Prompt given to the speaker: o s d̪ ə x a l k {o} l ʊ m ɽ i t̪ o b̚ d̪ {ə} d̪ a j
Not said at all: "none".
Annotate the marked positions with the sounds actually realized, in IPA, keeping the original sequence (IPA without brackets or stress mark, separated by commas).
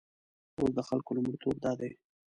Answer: o, ɑ